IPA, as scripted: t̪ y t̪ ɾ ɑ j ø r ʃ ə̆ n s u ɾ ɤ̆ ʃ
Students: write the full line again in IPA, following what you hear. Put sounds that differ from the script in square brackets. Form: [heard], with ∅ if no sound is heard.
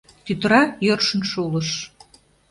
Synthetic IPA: t̪ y t̪ ɾ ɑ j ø r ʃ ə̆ n [ʃ] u [l] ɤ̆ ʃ